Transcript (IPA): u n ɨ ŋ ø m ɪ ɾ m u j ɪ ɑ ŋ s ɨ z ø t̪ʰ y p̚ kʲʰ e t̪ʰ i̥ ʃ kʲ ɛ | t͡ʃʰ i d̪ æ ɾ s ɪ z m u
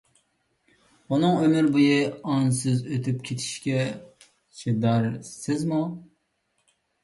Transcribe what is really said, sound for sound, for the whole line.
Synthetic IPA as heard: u n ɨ ŋ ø m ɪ ɾ b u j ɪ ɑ n s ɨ z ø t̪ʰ y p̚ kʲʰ e t̪ʰ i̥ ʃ kʲ ɛ | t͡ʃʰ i d̪ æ ɾ s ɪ z m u